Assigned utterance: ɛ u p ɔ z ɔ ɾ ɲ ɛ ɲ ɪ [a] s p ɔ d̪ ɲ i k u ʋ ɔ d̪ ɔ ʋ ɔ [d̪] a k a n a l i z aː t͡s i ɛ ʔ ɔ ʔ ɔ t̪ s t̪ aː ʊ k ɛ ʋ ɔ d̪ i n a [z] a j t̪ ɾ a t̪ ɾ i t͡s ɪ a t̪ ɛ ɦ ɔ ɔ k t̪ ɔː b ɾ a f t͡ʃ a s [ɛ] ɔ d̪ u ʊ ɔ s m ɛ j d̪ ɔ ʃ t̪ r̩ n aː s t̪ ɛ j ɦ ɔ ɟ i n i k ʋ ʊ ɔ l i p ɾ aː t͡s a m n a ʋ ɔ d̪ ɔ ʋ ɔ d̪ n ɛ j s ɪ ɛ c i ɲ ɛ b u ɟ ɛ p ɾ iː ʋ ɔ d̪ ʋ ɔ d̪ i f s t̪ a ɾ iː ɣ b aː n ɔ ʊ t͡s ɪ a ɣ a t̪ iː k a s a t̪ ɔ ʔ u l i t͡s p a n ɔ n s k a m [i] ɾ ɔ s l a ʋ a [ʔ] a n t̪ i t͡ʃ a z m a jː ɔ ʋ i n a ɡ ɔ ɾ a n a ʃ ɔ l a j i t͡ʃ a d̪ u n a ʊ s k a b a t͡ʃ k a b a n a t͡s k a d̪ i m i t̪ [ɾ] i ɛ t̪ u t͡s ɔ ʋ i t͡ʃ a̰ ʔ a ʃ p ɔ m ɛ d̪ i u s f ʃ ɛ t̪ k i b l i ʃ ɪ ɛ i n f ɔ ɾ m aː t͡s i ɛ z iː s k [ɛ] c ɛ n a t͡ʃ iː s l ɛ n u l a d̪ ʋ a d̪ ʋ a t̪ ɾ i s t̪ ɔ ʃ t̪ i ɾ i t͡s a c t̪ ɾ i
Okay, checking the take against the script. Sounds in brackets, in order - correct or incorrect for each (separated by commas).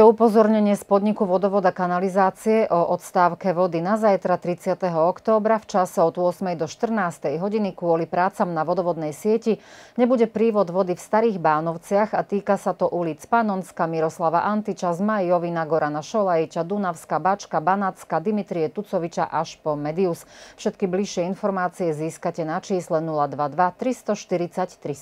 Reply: incorrect, correct, correct, correct, correct, correct, correct, incorrect